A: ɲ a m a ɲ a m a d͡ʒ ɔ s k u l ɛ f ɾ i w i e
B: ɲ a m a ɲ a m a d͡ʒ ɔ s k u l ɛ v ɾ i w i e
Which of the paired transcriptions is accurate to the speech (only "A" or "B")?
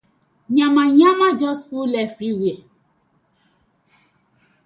A